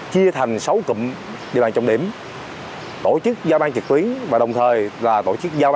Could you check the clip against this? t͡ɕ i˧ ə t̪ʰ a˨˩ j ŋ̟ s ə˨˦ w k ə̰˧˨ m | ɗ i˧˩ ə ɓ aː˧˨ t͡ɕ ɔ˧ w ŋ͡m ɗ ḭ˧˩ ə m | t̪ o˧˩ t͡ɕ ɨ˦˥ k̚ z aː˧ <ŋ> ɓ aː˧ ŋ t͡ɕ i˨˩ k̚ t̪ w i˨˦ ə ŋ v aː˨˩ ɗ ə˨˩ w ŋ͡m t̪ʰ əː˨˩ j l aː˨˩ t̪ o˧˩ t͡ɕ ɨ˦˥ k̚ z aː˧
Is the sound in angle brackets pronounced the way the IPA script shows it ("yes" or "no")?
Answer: no